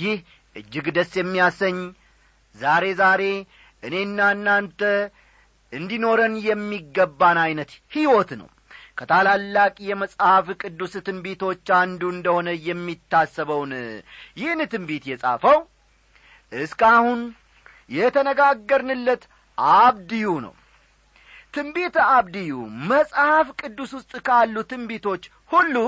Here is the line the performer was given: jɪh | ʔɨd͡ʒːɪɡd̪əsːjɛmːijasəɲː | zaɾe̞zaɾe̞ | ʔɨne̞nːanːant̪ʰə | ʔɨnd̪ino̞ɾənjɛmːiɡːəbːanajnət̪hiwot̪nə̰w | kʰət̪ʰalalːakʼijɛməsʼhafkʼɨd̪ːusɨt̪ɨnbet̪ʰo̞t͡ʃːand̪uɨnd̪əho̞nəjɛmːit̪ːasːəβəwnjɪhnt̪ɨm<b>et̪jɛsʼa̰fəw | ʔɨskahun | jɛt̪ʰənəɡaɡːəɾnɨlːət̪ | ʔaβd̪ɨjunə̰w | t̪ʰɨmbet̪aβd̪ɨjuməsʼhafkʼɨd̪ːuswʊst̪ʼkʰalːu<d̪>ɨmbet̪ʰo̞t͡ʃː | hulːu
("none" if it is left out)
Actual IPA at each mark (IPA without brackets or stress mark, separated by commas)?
b, t̪